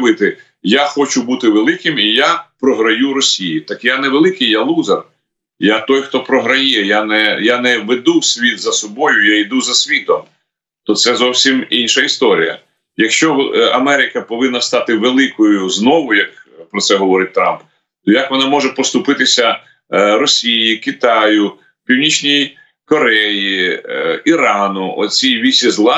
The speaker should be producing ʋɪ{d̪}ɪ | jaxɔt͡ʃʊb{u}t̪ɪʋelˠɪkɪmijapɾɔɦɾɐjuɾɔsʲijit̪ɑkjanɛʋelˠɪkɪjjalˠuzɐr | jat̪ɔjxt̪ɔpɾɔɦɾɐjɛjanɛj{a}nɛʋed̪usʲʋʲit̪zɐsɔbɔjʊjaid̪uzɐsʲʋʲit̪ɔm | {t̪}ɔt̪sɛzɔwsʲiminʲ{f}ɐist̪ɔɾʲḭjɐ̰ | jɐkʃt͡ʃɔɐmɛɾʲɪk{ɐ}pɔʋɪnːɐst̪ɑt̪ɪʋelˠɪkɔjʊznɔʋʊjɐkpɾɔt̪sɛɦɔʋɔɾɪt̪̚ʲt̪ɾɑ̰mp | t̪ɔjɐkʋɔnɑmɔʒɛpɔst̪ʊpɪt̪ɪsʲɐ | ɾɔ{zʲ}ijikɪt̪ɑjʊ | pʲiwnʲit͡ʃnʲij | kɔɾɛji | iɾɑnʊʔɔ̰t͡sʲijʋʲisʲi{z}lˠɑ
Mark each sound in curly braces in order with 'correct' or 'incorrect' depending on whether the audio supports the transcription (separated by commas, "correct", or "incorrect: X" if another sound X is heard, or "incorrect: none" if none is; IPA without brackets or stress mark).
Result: incorrect: t̪, correct, correct, correct, incorrect: ʃ, correct, incorrect: sʲ, correct